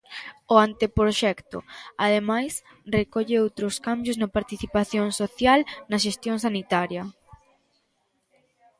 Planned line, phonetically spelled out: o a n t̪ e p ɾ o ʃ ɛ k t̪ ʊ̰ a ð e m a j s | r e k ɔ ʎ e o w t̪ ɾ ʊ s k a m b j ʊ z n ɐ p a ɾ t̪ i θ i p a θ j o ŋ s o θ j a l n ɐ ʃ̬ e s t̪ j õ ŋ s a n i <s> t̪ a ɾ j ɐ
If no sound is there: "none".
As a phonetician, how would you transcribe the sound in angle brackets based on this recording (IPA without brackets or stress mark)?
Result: none